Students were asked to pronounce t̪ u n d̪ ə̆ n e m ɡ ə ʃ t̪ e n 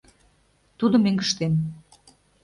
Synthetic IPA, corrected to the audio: t̪ u d̪ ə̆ m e ŋ ɡ ə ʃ t̪ e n